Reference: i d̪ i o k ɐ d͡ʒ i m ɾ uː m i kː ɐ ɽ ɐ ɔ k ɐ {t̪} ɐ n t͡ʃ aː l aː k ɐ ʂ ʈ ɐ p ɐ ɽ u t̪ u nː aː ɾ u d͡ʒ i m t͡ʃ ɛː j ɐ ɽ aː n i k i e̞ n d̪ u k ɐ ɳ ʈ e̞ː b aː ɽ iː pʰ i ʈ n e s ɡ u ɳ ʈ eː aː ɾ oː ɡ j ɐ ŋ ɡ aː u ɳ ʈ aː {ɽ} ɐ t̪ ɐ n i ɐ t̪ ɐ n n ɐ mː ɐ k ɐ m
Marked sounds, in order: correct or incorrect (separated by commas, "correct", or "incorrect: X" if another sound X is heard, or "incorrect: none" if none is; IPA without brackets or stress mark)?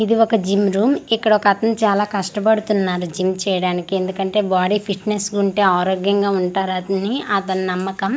correct, incorrect: ɾ